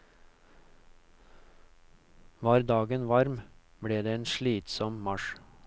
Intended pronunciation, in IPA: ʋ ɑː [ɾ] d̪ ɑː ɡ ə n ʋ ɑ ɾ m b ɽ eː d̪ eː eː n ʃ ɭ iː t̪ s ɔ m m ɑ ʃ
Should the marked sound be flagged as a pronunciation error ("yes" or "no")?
no